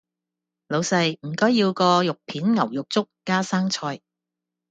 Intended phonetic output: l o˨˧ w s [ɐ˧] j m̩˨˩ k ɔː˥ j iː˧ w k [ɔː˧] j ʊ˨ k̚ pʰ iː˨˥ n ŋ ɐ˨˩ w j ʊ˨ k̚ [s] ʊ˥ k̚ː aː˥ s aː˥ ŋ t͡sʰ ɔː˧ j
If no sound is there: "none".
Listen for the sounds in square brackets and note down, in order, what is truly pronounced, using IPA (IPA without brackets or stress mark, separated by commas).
ɐ˧, ɔː˧, t͡s